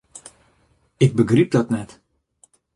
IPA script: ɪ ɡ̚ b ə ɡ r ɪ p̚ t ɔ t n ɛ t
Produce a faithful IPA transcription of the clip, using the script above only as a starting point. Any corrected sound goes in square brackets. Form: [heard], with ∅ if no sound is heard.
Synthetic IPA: ɪ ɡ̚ b ə ɡ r [i] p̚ [d] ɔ t n ɛ t